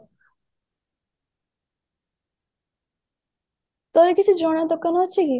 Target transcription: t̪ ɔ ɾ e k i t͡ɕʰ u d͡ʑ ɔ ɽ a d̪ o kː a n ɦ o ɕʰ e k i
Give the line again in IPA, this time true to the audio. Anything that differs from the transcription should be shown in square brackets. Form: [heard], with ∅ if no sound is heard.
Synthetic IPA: t̪ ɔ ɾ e k i t͡ɕʰ u d͡ʑ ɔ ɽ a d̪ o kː a n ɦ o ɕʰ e k i